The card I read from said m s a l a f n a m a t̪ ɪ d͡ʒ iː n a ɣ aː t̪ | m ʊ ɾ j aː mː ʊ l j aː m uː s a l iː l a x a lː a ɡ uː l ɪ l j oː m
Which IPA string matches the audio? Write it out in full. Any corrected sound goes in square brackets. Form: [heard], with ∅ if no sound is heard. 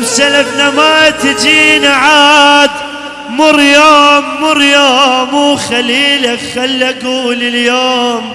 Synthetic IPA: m s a l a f n a m a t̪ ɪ d͡ʒ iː n a [ʕ] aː [d̪] | m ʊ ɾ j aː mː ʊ [ɾ] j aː m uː [x] a l iː l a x a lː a ɡ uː l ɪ l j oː m

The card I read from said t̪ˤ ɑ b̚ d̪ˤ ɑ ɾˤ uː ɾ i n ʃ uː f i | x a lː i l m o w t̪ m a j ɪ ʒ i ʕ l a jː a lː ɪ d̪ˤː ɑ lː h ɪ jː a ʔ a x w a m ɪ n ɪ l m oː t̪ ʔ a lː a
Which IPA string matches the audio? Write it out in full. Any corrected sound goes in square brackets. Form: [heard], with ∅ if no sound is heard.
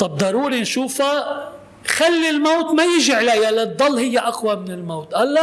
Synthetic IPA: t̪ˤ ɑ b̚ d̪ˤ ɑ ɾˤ uː ɾ i n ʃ uː f [a] | x a lː i l m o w t̪ m a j ɪ ʒ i ʕ l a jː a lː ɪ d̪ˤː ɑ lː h ɪ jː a ʔ a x w a m ɪ n ɪ l m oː t̪ ʔ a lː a

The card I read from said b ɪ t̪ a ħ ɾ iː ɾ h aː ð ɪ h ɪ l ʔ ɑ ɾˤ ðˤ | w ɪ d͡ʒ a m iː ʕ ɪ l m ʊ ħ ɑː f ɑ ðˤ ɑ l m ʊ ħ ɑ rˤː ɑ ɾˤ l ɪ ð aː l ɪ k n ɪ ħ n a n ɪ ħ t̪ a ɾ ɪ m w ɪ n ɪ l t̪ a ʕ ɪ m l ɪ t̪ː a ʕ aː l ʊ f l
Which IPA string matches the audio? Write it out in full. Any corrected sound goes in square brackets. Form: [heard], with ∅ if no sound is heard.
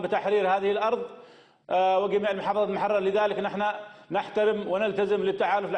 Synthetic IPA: b ɪ t̪ a ħ ɾ iː ɾ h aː ð ɪ h ɪ l ʔ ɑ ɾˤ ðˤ | w ɪ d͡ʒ a m iː ʕ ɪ l m ʊ ħ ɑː f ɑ ðˤ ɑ l m ʊ ħ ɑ rˤː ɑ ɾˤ l ɪ ð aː l ɪ k n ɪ ħ n a n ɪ ħ t̪ a ɾ ɪ m w ɪ n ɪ l t̪ a [z] ɪ m l ɪ t̪ː a ʕ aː l ʊ f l

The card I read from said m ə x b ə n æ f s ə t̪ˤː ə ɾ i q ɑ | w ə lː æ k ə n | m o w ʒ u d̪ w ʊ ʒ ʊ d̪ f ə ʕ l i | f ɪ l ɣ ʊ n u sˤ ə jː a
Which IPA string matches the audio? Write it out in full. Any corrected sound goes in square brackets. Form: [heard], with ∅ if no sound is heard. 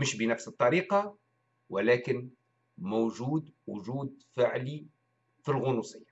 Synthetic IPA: m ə [ʃ] b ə n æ f s ə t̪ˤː [ɑ] ɾ i q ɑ | w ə [l] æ k ə n | m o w ʒ u d̪ w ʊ ʒ [u] d̪ f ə ʕ l i | f [i] l ɣ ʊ n u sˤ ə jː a

